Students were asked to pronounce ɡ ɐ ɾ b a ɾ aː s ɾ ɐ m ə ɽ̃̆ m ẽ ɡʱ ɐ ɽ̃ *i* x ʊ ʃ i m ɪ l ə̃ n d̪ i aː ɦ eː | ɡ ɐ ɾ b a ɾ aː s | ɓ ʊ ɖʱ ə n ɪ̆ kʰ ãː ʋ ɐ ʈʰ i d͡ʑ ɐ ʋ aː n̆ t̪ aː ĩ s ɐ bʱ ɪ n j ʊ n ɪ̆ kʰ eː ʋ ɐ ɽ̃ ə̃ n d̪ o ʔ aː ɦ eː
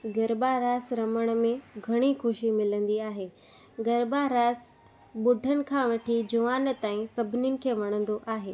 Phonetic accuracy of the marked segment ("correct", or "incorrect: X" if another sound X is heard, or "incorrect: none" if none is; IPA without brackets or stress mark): correct